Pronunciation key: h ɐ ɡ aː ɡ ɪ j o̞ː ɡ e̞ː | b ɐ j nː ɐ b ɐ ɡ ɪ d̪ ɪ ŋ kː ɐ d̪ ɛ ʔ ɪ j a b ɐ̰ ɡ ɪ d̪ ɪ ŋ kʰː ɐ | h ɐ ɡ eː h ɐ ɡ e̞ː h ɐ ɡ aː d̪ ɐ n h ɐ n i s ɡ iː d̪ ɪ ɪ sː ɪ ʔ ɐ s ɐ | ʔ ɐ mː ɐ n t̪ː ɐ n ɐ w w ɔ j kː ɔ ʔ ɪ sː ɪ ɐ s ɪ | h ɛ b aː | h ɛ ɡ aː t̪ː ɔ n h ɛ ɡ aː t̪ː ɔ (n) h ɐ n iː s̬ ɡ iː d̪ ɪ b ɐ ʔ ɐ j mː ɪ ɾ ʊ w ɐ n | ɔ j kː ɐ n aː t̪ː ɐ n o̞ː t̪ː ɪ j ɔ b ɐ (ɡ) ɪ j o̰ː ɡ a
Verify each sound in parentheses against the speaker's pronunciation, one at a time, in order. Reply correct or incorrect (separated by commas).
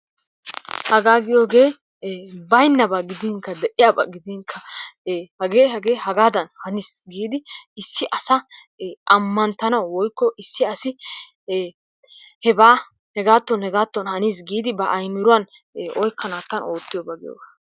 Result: correct, correct